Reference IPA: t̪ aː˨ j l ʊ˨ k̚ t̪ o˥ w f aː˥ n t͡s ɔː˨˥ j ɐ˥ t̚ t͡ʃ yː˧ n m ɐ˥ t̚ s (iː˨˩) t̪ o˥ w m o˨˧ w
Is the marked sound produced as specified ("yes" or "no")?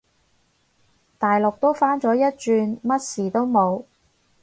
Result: yes